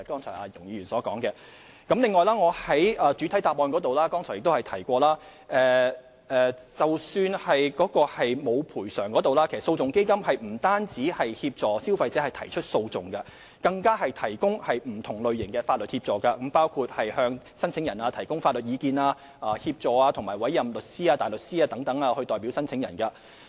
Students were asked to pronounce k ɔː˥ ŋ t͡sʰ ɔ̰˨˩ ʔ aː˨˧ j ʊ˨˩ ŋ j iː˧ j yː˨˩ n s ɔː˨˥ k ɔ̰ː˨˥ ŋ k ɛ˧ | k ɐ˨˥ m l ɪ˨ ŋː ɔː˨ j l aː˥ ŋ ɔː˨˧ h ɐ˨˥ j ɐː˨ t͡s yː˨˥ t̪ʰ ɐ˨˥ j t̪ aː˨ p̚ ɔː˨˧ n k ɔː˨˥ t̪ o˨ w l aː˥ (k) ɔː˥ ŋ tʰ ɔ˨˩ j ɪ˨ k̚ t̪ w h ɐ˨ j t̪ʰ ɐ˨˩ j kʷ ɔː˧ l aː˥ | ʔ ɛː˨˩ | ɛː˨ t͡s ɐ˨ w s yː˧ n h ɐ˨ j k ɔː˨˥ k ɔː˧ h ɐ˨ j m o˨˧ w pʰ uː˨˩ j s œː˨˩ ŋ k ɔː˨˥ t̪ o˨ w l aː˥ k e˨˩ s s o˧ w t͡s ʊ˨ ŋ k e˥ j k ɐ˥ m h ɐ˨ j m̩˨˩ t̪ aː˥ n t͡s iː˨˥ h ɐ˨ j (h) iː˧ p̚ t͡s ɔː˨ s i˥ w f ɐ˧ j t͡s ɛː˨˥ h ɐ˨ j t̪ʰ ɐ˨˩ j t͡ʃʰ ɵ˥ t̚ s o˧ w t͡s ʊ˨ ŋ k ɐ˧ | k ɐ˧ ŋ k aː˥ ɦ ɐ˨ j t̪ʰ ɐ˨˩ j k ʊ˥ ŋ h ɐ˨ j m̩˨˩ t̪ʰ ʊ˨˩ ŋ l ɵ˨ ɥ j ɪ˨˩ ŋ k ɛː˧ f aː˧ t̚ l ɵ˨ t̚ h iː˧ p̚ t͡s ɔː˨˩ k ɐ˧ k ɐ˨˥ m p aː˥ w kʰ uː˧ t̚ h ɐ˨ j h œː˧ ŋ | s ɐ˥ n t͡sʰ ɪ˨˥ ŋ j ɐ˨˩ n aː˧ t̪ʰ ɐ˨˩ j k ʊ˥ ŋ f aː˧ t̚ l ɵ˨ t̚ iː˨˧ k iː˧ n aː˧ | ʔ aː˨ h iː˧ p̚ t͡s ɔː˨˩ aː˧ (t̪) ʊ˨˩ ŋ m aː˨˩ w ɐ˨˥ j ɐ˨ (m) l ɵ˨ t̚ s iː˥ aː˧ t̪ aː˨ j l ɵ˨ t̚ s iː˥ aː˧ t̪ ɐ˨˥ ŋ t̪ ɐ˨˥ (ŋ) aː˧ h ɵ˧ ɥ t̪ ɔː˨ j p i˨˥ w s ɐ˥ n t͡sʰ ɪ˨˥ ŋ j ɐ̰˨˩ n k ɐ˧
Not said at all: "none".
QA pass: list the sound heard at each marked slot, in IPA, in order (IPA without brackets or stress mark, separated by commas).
k, h, t̪ʰ, m, ŋ